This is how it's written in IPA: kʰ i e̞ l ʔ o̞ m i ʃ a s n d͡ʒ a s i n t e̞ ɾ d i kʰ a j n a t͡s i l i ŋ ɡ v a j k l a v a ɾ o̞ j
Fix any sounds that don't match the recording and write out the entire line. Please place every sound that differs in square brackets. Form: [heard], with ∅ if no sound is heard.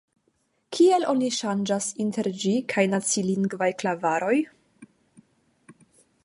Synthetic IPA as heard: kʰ i e̞ l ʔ o̞ [n] i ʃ a [∅] n d͡ʒ a s i n t e̞ ɾ [d͡ʒ] i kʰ a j n a t͡s i l i ŋ ɡ v a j k l a v a ɾ o̞ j